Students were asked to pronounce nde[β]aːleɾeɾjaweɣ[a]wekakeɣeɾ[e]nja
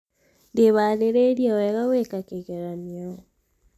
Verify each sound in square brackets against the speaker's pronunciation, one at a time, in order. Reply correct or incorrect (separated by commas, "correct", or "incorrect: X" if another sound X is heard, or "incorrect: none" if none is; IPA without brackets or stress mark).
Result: correct, correct, incorrect: a